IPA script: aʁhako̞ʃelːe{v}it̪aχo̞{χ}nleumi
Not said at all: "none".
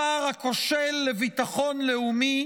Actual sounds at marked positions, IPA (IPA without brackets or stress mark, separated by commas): v, none